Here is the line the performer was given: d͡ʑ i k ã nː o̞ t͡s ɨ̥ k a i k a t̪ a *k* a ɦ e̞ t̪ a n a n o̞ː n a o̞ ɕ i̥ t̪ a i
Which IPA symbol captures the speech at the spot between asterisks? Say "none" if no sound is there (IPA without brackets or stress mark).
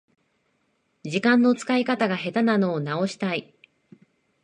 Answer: ɡ